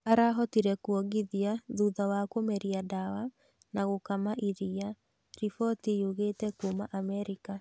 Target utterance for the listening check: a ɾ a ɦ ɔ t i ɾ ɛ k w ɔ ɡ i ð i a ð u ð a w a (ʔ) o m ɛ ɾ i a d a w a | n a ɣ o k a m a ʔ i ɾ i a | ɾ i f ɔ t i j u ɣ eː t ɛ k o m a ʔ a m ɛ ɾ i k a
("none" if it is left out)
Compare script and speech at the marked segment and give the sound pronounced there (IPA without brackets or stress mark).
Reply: k